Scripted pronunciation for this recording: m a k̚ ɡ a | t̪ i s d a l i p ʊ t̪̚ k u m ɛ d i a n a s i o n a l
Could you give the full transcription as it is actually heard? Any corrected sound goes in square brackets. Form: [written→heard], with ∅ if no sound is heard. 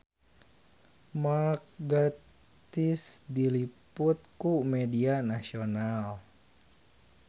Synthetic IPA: m a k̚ ɡ a | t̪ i s d [a→i] l i p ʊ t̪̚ k u m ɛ d i a n a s i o n a l

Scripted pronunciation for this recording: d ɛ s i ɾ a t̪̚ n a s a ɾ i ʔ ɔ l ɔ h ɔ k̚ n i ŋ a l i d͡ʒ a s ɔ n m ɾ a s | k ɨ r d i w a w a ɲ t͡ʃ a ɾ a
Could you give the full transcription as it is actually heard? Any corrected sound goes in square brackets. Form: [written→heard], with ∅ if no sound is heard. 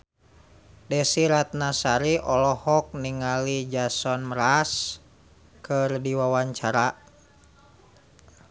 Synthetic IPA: d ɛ s i ɾ a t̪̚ n a s a ɾ i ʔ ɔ l ɔ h ɔ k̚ n i ŋ a l i d͡ʒ a s ɔ n m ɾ a s | k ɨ r d i w a w a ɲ t͡ʃ a ɾ a

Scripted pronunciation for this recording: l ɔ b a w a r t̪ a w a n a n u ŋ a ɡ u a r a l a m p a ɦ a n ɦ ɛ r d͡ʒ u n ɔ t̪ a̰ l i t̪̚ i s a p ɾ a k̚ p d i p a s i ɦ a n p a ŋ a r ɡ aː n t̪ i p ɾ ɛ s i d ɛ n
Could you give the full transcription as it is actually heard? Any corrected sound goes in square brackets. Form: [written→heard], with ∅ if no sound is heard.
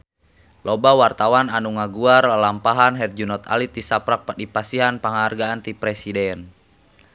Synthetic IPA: l ɔ b a w a r t̪ a w a n a n u ŋ a ɡ u a r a l a m p a ɦ a n ɦ ɛ r d͡ʒ u n ɔ t̪ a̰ l i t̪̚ i s a p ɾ a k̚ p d i p a s i ɦ a n p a ŋ a r ɡ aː n t̪ i p ɾ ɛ s i d ɛ n

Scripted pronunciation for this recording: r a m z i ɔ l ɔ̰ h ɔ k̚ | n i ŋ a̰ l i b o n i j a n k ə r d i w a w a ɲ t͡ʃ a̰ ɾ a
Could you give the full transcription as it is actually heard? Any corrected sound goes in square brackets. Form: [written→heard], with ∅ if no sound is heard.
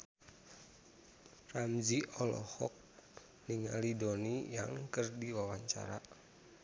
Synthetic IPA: r a m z i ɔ l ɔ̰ h ɔ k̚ | n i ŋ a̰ l i [b→d] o n i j a [n→ŋ] k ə r d i w a w a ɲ t͡ʃ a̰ ɾ a

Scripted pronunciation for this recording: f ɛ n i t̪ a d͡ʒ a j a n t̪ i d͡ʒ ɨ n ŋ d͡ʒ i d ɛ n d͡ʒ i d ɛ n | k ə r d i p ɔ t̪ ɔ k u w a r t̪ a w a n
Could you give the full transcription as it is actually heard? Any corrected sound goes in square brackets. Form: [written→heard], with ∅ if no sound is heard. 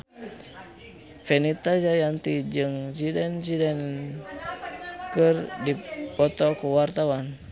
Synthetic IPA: f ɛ n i t̪ a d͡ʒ a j a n t̪ i d͡ʒ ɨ [n→∅] ŋ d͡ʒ i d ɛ n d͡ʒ i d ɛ n | k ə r d i p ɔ t̪ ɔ k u w a r t̪ a w a n

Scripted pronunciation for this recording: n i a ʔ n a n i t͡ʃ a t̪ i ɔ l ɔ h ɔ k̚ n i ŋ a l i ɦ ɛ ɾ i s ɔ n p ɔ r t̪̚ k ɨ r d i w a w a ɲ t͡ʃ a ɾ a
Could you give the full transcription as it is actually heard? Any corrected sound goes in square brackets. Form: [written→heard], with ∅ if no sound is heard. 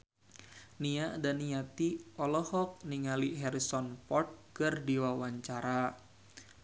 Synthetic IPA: n i a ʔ [n→d] a n i [t͡ʃ→∅] a t̪ i ɔ l ɔ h ɔ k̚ n i ŋ a l i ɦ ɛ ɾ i s ɔ n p ɔ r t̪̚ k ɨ r d i w a w a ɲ t͡ʃ a ɾ a

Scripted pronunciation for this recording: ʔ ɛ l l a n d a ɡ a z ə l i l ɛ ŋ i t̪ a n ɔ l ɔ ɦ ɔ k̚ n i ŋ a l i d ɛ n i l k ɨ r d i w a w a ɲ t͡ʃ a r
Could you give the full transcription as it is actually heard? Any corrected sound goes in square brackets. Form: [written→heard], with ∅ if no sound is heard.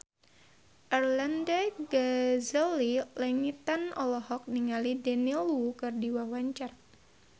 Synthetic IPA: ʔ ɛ [l→r] l a n d a ɡ a z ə l i l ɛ ŋ i t̪ a n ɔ l ɔ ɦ ɔ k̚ n i ŋ a l i d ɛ n i l k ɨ r d i w a w a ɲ t͡ʃ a r

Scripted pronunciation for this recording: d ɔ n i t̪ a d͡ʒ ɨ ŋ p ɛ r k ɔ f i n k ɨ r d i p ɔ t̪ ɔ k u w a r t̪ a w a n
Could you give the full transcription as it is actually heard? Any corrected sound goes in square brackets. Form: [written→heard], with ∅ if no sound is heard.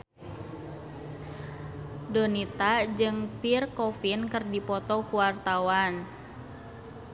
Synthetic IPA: d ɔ n i t̪ a d͡ʒ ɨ ŋ p [ɛ→i] r k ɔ f i n k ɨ r d i p ɔ t̪ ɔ k u w a r t̪ a w a n

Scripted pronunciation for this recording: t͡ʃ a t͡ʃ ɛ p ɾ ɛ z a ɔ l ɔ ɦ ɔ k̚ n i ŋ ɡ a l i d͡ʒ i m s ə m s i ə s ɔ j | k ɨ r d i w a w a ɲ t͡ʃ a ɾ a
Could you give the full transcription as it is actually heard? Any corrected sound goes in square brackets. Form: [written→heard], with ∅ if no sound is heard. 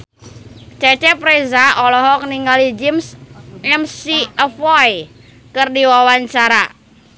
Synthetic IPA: t͡ʃ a t͡ʃ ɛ p ɾ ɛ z a ɔ l ɔ ɦ ɔ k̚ n i ŋ ɡ a l i d͡ʒ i m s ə m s i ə [s→f] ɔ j | k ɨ r d i w a w a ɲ t͡ʃ a ɾ a

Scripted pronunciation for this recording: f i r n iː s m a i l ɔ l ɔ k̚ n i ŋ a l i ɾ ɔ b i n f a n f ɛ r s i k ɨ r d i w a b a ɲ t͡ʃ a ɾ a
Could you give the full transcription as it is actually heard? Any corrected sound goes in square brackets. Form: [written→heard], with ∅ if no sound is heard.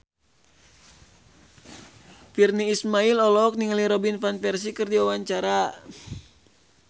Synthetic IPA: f i r n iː s m a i l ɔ l ɔ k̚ n i ŋ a l i ɾ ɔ b i n f a n f ɛ r s i k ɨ r d i w a [b→w] a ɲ t͡ʃ a ɾ a

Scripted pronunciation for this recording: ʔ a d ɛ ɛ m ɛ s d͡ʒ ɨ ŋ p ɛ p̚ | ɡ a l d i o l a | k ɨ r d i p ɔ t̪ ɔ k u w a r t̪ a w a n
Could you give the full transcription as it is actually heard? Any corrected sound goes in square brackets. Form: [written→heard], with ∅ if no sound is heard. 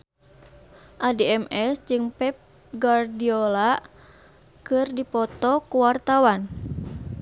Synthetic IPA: ʔ a d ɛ ɛ m ɛ s d͡ʒ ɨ ŋ p ɛ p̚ | ɡ a [l→r] d i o l a | k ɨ r d i p ɔ t̪ ɔ k u w a r t̪ a w a n

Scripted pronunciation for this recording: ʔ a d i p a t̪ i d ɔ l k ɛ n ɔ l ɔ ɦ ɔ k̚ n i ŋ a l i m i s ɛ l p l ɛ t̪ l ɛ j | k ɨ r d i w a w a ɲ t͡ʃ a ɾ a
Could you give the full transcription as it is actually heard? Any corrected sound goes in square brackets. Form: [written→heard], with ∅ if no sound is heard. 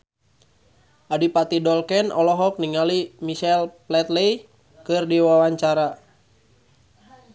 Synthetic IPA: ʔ a d i p a t̪ i d ɔ l k ɛ n ɔ l ɔ ɦ ɔ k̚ n i ŋ a l i m i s ɛ l p l ɛ t̪ l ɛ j | k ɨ r d i w a w a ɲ t͡ʃ a ɾ a

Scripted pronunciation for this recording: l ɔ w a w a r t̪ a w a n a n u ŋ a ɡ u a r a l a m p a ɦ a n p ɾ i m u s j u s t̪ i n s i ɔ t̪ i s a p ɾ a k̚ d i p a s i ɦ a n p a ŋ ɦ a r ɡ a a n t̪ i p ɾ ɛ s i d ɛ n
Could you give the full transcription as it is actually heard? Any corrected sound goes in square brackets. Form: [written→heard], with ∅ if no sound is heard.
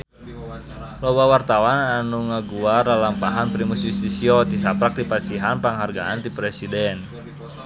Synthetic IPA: l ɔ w a w a r t̪ a w a n a n u ŋ a ɡ u a r a l a m p a ɦ a n p ɾ i m u s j u s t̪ i [n→∅] s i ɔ t̪ i s a p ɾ a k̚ d i p a s i ɦ a n p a ŋ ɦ a r ɡ a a n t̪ i p ɾ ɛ s i d ɛ n

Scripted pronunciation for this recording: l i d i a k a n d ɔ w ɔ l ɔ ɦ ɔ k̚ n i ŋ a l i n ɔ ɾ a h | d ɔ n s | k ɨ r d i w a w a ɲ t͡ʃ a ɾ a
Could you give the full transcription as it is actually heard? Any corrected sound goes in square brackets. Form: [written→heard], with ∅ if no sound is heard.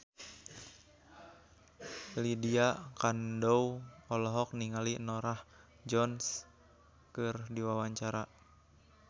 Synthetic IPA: l i d i a k a n d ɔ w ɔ l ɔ ɦ ɔ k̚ n i ŋ a l i n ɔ ɾ a h | [d→d͡ʒ] ɔ n s | k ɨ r d i w a w a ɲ t͡ʃ a ɾ a

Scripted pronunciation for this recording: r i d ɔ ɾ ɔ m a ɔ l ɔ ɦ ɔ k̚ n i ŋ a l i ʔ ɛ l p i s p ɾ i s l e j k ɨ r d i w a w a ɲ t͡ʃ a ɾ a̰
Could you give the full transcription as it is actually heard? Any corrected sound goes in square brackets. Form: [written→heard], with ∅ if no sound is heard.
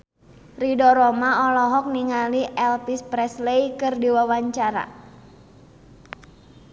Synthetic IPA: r i d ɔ ɾ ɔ m a ɔ l ɔ ɦ ɔ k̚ n i ŋ a l i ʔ ɛ l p i s p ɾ [i→ɛ] s l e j k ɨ r d i w a w a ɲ t͡ʃ a ɾ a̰

